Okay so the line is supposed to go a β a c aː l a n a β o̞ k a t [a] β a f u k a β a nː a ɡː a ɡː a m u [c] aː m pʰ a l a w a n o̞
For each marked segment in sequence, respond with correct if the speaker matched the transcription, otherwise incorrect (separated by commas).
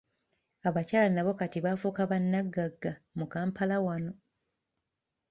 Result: incorrect, incorrect